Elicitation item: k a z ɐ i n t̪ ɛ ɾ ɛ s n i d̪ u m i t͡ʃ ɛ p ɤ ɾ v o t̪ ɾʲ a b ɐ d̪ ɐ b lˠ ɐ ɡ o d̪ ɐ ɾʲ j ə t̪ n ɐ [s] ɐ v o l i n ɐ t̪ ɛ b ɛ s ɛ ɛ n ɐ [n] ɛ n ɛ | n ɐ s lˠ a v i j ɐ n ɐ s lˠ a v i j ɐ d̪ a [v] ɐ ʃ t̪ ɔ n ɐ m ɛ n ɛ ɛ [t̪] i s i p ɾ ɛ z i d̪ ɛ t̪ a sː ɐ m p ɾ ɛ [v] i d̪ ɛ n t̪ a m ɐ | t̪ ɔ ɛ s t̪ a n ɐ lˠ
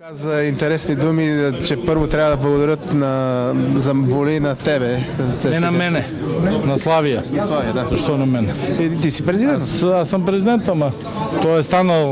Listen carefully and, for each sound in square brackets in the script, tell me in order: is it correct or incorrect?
incorrect: z, incorrect: m, incorrect: z, correct, incorrect: z

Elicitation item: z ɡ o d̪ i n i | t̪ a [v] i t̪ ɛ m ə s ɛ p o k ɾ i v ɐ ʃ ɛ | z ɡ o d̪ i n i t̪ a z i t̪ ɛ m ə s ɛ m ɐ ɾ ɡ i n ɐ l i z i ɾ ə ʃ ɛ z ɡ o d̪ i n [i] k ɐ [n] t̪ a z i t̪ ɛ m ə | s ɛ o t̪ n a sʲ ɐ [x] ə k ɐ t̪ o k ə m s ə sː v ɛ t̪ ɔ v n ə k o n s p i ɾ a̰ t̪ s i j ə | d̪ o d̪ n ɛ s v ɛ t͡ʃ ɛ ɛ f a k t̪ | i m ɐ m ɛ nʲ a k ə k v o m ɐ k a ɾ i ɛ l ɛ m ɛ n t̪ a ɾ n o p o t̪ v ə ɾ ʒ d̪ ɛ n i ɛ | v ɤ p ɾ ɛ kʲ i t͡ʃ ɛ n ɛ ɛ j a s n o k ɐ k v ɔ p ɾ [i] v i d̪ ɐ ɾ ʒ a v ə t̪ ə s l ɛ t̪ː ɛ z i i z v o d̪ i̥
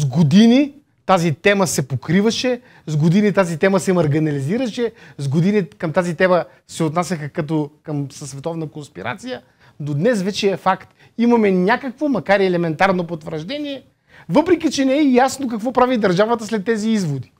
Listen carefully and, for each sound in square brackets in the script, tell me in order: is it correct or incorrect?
incorrect: z, correct, incorrect: m, correct, incorrect: a

